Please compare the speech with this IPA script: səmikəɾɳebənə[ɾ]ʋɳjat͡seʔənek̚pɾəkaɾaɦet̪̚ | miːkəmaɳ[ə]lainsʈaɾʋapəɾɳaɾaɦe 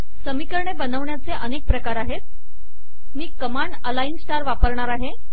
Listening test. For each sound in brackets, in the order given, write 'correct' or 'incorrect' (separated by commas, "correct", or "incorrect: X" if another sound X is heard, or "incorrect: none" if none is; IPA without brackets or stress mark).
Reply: incorrect: none, correct